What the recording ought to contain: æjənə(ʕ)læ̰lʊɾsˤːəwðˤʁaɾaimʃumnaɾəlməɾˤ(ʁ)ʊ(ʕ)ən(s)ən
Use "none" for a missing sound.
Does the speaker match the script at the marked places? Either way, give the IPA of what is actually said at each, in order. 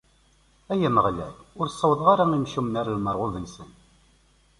ʁ, ʁ, ð, s

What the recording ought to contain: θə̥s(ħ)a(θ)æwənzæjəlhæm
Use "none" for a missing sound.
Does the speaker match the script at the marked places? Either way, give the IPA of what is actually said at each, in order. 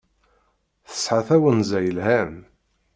ħ, θ

